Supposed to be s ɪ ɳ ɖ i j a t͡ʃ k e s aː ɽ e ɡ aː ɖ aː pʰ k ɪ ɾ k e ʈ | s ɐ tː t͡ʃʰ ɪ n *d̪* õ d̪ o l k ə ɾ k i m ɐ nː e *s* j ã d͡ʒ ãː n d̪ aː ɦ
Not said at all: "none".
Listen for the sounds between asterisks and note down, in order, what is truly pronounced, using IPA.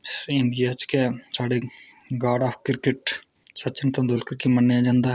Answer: t̪, none

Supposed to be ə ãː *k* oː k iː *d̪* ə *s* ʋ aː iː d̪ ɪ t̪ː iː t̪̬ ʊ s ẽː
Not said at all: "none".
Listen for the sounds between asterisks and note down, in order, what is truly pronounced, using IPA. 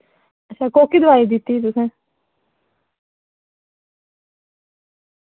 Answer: k, d̪, none

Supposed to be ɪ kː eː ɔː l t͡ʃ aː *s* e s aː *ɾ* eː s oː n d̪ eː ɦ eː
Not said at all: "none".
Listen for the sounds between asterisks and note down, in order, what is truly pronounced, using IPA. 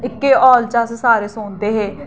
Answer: s, ɾ

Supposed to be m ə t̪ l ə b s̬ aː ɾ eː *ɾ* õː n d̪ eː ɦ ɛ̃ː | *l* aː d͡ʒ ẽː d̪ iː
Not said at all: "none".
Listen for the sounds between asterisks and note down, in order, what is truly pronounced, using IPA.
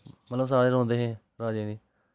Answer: ɾ, ɾ

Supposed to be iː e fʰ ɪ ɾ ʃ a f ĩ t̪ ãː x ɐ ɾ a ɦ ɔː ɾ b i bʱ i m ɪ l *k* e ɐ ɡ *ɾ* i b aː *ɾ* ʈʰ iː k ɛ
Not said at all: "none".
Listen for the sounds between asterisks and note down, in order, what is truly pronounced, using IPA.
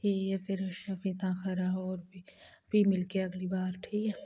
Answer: k, l, ɾ

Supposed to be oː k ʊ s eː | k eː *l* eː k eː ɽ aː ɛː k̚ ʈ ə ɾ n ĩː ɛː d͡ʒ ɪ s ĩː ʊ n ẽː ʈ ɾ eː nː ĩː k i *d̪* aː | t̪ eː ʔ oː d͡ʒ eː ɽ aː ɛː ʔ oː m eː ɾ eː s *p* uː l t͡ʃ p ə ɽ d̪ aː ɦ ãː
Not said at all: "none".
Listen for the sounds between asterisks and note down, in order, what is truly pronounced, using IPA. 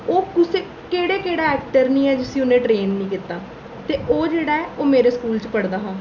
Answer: ɽ, t̪, k

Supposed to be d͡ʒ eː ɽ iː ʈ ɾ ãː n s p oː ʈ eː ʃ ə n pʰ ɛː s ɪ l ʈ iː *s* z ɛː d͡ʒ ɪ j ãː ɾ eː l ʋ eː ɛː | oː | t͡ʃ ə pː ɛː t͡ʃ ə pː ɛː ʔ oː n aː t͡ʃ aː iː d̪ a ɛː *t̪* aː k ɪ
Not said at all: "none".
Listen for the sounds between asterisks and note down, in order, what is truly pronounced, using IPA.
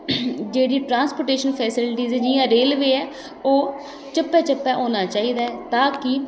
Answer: none, t̪

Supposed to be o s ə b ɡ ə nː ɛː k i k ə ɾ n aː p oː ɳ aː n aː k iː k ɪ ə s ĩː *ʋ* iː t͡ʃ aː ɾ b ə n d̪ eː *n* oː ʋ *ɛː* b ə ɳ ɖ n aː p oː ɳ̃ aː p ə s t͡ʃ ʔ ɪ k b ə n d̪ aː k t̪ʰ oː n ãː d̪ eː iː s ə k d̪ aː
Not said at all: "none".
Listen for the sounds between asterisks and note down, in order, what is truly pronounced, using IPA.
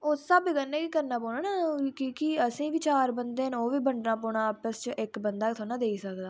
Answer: ʋ, n, iː

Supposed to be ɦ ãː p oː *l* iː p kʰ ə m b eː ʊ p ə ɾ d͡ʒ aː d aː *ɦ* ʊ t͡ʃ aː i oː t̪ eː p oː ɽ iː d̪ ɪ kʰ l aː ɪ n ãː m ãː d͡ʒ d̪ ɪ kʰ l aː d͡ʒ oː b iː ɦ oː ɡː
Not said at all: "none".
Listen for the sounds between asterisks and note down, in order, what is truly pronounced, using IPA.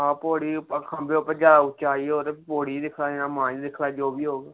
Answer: ɽ, none

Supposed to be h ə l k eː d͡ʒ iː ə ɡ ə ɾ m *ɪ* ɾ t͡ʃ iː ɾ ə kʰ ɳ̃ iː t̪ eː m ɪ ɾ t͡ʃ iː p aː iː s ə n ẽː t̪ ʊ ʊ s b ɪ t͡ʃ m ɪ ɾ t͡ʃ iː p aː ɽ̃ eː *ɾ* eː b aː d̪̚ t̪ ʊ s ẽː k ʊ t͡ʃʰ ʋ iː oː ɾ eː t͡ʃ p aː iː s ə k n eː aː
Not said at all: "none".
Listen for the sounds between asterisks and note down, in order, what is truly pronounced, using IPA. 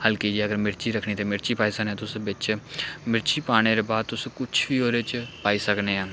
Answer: ɪ, ɾ

